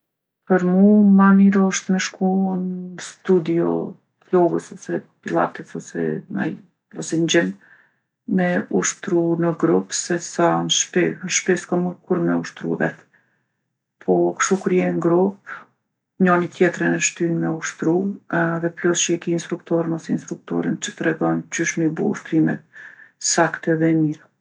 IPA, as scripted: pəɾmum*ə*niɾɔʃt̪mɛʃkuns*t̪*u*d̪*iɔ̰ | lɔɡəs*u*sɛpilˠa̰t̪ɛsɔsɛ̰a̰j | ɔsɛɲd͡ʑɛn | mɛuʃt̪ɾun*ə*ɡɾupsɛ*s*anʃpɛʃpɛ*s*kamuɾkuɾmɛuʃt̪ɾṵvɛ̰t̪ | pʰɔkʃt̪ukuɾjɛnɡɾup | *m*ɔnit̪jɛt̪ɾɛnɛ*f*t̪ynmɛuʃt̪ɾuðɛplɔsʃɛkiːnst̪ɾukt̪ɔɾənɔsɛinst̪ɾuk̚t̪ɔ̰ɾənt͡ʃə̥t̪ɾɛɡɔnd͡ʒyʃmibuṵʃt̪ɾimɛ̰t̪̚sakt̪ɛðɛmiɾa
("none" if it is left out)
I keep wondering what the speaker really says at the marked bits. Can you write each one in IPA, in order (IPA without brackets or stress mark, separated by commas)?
a, t̪, d̪, ɔ, ə, s, s, ɲ, ʃ